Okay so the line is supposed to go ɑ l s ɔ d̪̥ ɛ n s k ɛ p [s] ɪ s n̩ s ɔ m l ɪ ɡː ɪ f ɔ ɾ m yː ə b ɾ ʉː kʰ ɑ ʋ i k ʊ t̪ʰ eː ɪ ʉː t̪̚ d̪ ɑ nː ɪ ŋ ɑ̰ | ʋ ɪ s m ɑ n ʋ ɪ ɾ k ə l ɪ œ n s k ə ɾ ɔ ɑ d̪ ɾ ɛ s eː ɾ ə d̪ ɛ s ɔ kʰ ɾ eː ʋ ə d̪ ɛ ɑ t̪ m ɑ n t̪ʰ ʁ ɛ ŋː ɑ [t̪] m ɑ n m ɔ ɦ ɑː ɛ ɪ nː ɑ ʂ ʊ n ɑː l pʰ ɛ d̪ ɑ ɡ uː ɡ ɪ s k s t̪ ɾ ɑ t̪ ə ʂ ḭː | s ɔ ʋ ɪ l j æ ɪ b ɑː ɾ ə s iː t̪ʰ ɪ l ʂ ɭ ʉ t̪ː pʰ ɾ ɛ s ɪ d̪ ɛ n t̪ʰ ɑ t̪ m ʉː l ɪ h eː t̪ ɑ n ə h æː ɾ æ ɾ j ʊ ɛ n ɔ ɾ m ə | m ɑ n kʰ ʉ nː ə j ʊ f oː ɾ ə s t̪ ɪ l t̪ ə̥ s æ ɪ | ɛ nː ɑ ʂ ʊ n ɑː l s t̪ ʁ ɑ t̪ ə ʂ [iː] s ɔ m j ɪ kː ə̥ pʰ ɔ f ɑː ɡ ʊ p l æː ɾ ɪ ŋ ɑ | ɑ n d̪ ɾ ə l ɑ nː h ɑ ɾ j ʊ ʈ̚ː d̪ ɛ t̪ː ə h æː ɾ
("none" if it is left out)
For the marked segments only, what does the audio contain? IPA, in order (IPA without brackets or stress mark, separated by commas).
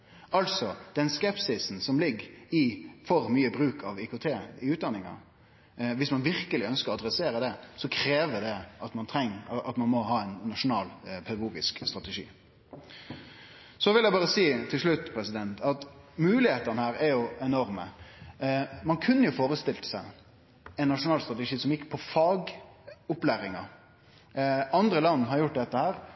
s, t̪, iː